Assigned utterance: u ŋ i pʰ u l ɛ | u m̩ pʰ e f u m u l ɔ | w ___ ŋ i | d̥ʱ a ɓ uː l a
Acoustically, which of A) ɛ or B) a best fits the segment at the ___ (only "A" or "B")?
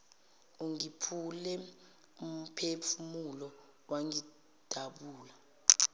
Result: B